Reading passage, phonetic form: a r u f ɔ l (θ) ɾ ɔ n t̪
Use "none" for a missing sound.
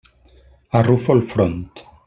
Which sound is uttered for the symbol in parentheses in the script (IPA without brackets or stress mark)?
f